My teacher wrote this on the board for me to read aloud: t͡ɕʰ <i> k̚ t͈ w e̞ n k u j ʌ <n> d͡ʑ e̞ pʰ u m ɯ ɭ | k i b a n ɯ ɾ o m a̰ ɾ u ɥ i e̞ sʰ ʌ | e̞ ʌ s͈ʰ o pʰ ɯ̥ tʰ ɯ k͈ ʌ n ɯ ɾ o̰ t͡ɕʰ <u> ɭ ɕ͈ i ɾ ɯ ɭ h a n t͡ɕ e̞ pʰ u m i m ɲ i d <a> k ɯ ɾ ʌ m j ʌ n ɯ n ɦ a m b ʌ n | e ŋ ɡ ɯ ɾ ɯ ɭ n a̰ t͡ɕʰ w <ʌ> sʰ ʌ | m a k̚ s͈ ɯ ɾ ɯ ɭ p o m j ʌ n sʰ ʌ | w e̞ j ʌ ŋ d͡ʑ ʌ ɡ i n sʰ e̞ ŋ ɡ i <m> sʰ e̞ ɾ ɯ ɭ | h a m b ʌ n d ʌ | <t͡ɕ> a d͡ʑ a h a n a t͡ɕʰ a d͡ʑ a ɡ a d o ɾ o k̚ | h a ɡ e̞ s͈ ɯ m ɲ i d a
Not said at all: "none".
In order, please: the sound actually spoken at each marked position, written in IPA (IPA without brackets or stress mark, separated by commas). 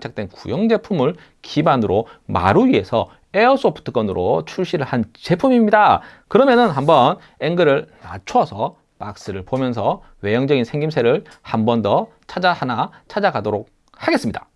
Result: a, ŋ, u, a, ʌ, m, t͡ɕʰ